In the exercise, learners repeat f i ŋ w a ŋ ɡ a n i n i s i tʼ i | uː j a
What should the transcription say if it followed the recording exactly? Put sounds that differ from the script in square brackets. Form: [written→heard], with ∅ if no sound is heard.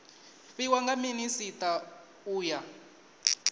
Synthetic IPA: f i [ŋ→∅] w a ŋ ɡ a [n→m] i n i s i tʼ [i→a] | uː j a